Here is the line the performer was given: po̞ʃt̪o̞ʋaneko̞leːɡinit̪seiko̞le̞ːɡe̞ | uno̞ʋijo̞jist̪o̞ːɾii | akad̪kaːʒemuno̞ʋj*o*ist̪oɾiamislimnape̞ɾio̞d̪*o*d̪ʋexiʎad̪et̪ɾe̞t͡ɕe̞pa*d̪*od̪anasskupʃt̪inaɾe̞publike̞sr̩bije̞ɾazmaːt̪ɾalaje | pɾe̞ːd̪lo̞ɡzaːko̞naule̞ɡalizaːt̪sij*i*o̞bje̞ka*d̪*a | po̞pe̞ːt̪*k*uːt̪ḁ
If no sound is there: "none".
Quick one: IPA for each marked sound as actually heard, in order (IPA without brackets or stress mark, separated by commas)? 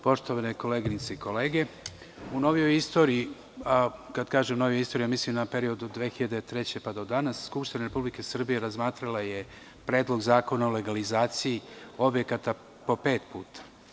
o, u, d̪, i, t̪, p